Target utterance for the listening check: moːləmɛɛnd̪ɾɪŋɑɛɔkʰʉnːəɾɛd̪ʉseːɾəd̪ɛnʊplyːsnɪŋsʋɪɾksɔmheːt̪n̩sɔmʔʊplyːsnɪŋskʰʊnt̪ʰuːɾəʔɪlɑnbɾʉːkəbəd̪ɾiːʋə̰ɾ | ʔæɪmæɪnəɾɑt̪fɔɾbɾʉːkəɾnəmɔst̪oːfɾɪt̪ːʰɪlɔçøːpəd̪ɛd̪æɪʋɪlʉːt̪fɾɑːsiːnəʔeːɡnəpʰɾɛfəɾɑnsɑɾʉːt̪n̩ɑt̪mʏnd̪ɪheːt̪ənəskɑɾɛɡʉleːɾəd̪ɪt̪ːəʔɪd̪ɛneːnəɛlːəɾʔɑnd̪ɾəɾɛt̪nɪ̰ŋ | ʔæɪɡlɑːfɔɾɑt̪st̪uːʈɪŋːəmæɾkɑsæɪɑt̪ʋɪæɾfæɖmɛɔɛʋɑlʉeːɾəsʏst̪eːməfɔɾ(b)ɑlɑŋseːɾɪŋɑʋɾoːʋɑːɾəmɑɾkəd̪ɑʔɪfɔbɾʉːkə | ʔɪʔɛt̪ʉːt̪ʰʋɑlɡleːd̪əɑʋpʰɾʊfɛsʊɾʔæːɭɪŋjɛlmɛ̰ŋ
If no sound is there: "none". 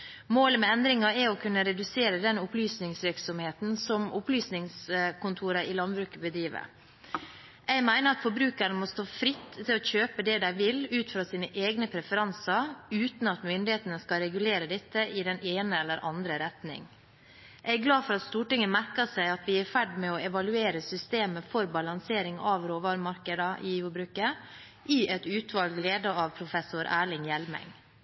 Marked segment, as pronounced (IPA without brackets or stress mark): b